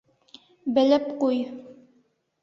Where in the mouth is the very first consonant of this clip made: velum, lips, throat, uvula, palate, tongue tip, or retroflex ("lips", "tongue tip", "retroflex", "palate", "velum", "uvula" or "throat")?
lips